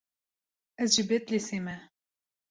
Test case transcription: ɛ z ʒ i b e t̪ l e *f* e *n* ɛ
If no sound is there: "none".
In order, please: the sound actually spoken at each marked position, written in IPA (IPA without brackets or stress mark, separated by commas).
s, m